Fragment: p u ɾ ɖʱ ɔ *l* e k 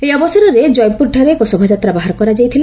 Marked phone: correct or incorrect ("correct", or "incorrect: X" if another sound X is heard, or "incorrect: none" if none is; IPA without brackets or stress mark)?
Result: incorrect: ɾ